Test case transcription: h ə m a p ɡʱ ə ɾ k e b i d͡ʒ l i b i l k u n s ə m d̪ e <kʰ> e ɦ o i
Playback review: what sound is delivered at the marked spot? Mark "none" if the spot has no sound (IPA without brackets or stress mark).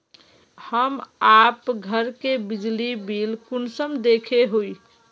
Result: kʰ